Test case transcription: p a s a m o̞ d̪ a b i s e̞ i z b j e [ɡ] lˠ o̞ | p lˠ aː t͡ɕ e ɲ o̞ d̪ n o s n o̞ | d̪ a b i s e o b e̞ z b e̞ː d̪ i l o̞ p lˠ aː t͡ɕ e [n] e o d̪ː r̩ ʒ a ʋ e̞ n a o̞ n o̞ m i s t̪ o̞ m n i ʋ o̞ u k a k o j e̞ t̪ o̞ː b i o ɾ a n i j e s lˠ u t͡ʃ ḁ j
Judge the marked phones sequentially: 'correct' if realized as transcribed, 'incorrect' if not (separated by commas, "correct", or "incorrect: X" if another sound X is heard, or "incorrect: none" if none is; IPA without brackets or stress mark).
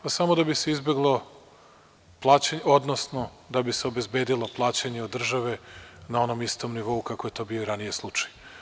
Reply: correct, incorrect: ɲ